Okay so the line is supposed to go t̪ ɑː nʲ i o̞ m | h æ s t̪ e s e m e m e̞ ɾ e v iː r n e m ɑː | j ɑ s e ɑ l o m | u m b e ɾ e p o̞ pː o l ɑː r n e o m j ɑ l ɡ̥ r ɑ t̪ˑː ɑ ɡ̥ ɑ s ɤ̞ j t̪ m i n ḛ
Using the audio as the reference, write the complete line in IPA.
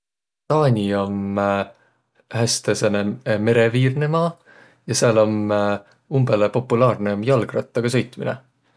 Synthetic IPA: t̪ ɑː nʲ i o̞ m | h æ s t̪ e s e n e m e̞ ɾ e v iː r n e m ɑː | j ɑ s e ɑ l o m | u m b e l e p o̞ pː u l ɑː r n e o m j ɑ l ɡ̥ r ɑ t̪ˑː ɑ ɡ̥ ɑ s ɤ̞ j t̪ m i n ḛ

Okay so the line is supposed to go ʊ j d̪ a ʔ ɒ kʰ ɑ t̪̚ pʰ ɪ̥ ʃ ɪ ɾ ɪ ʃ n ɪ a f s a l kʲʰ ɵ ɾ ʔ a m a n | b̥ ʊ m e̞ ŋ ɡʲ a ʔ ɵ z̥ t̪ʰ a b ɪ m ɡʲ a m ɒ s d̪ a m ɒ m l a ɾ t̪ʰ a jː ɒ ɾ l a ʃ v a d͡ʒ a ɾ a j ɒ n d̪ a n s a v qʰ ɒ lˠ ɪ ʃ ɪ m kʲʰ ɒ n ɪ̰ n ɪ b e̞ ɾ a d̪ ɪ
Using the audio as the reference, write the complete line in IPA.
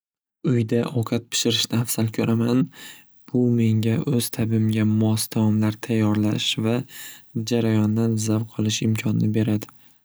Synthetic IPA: ʊ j d̪ a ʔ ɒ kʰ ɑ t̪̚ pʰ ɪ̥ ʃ ɪ ɾ ɪ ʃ n ɪ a f s a l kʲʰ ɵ ɾ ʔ a m a n | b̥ ʊ m e̞ ŋ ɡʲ a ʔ ɵ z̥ t̪ʰ a b ɪ m ɡʲ a m ɒ s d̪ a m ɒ m l a ɾ t̪ʰ a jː ɒ ɾ l a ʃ v a d͡ʒ a ɾ a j ɒ n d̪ a n z a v qʰ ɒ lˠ ɪ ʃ ɪ m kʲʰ ɒ n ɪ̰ n ɪ b e̞ ɾ a d̪ ɪ

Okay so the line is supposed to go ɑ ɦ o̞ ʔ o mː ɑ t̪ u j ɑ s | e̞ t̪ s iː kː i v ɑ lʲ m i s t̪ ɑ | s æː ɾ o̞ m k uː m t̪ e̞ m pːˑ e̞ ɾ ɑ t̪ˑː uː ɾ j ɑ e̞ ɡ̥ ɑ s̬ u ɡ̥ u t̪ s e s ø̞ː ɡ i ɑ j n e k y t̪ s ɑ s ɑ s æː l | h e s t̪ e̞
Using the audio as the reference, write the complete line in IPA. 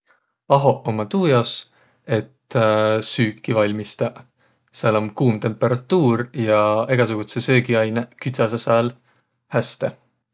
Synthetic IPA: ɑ ɦ o̞ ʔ o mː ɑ t̪ uː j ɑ s | e̞ t̪ s yː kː i v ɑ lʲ m i s t̪ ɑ | s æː l o̞ m k uː m t̪ e̞ m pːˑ e̞ ɾ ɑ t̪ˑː uː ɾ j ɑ e̞ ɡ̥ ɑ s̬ u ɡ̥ u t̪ s e s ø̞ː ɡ i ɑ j n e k y t̪ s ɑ s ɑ s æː l | h æ s t̪ e̞

